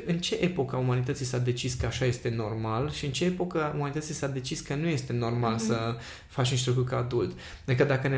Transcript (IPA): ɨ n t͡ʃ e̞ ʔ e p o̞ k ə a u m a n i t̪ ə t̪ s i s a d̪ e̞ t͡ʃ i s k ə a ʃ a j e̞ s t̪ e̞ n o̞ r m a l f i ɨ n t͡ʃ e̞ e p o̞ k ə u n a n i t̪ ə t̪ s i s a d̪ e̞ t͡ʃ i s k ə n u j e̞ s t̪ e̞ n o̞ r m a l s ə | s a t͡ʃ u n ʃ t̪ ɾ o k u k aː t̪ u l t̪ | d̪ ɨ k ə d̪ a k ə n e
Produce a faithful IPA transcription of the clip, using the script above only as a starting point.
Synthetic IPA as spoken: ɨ n t͡ʃ e̞ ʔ e p o̞ k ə a u m a n i t̪ ə t̪ s i s a d̪ e̞ t͡ʃ i s k ə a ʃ a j e̞ s t̪ e̞ n o̞ r m a l ʃ i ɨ n t͡ʃ e̞ e p o̞ k ə u m a n i t̪ ə t̪ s i s a d̪ e̞ t͡ʃ i s k ə n u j e̞ s t̪ e̞ n o̞ r m a l s ə | f a t͡ʃ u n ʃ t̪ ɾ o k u k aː d̪ u l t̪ | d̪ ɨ k ə d̪ a k ə n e